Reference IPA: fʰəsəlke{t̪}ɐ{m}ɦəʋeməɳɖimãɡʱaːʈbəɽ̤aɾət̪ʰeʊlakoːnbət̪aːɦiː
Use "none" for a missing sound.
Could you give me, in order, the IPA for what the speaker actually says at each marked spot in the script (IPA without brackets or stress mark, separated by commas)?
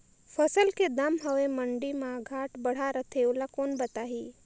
d̪, m